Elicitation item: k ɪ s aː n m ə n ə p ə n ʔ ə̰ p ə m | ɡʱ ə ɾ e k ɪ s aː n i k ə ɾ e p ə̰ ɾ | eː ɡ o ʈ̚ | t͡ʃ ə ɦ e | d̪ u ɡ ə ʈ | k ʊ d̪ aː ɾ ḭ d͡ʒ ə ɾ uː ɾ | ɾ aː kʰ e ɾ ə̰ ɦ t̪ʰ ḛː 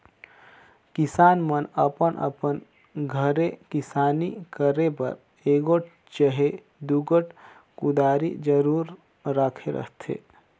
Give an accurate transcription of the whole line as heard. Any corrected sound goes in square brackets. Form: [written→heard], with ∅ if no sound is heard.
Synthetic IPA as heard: k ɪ s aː n m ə n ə p ə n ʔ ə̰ p ə [m→n] | ɡʱ ə ɾ e k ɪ s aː n i k ə ɾ e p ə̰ ɾ | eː ɡ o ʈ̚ | t͡ʃ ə ɦ e | d̪ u ɡ ə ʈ | k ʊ d̪ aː ɾ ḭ d͡ʒ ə ɾ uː ɾ | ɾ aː kʰ e ɾ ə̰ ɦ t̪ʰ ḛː